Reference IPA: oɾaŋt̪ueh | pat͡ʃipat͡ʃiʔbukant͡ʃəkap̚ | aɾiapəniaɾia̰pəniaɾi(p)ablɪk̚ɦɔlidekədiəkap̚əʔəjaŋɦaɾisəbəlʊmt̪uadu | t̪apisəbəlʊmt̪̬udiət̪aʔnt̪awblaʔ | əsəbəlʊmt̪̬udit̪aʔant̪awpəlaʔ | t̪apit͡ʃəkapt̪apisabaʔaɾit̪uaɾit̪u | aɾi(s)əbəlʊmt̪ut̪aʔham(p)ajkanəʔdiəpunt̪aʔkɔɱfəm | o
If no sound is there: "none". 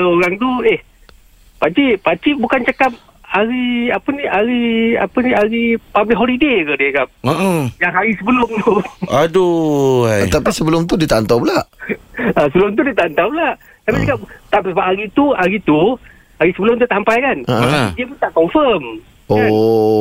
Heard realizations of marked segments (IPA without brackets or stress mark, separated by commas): p, s, p